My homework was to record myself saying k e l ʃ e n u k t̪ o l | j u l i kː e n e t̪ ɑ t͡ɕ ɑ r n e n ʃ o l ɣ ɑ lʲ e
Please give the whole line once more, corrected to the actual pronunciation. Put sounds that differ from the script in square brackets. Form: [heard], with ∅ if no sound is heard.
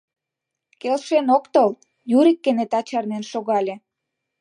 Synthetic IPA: k e l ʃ e n [o] k t̪ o l | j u [ɾ] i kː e n e t̪ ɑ t͡ɕ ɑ r n e n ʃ o [∅] ɣ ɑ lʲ e